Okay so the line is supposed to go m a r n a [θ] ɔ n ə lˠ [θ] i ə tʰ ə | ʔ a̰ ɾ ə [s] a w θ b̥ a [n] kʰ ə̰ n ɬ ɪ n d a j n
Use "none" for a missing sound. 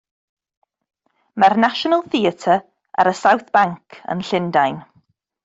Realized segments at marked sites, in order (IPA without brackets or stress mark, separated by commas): ʃ, θ, s, ŋ